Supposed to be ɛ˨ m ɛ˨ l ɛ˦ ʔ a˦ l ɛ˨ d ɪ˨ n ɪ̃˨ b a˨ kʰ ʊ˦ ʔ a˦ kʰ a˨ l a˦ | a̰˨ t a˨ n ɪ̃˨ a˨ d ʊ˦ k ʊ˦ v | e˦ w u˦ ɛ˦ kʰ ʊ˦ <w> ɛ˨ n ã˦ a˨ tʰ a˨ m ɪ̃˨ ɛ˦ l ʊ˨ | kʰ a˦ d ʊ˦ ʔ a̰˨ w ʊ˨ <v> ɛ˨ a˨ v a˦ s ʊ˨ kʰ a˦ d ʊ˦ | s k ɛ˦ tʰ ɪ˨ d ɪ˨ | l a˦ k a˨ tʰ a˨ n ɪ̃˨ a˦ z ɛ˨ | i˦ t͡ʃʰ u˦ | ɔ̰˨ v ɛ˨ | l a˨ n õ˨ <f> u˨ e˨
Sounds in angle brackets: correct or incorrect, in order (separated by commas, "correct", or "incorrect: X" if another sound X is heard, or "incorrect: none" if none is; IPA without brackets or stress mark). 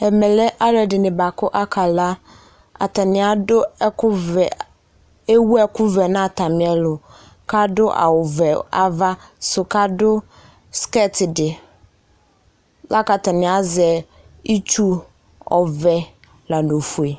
incorrect: v, correct, correct